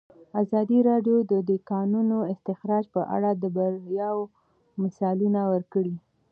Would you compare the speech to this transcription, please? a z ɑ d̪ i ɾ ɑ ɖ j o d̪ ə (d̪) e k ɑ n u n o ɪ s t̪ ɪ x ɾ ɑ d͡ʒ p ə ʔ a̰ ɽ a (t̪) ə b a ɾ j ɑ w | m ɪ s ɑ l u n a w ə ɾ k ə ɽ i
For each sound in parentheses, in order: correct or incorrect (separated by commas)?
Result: correct, incorrect